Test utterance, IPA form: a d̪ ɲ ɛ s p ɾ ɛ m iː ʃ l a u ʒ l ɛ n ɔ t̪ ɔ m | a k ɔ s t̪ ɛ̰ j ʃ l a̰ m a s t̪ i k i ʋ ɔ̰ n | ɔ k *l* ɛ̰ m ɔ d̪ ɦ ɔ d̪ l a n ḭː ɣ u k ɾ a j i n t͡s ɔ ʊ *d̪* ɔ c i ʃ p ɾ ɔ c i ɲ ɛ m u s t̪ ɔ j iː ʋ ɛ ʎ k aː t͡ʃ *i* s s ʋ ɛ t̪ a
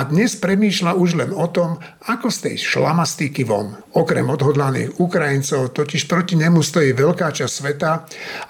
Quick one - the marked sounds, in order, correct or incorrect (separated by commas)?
incorrect, incorrect, incorrect